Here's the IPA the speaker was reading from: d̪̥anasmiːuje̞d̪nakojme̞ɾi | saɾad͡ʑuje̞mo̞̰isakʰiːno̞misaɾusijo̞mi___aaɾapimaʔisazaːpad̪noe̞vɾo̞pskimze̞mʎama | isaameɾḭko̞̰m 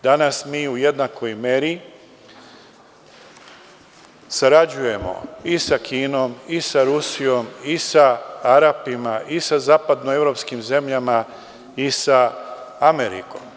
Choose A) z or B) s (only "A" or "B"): B